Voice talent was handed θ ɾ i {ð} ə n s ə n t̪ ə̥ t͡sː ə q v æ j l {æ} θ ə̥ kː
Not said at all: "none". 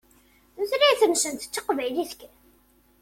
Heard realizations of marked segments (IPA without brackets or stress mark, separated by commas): θ, i